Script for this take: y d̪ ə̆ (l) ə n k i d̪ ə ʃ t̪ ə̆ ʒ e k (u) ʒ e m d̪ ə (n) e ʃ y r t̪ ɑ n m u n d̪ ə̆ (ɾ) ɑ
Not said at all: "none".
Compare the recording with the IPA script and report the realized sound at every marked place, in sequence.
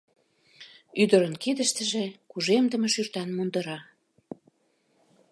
ɾ, u, m, ɾ

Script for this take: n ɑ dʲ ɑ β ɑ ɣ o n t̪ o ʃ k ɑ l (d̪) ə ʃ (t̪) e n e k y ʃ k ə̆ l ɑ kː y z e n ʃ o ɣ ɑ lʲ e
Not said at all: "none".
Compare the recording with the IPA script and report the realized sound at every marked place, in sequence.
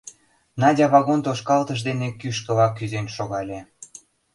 t̪, d̪

